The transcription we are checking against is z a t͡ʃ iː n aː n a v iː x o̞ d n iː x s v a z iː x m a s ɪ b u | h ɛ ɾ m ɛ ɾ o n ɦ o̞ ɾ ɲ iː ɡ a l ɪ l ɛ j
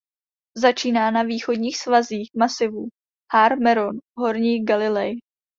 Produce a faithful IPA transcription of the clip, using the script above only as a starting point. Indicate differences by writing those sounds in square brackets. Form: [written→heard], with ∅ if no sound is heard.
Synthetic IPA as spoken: z a t͡ʃ iː n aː n a v iː x o̞ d [n→ɲ] iː x s v a z iː x m a s ɪ [b→v] u | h [ɛ→a] ɾ m ɛ ɾ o n ɦ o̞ ɾ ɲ iː ɡ a l ɪ l ɛ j